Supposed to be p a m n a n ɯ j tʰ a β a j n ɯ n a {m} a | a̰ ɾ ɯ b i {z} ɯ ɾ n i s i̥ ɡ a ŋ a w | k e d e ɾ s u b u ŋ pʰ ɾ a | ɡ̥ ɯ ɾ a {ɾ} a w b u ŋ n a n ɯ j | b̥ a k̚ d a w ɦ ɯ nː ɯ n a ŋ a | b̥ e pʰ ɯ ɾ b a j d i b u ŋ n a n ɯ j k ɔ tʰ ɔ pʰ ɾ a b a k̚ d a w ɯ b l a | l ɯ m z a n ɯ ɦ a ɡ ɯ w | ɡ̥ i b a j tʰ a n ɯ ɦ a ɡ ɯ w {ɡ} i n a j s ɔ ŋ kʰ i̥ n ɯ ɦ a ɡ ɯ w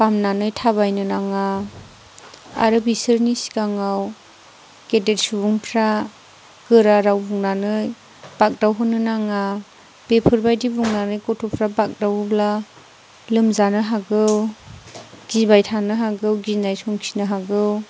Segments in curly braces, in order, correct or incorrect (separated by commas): incorrect, incorrect, correct, correct